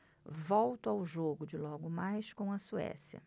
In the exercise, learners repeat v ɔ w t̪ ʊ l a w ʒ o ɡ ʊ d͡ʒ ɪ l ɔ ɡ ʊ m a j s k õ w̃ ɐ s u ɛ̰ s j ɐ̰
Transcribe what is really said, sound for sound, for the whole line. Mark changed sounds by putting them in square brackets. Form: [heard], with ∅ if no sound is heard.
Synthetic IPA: v ɔ w t̪ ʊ [∅] a w ʒ o ɡ ʊ d͡ʒ ɪ l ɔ ɡ ʊ m a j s k õ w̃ ɐ s u ɛ̰ s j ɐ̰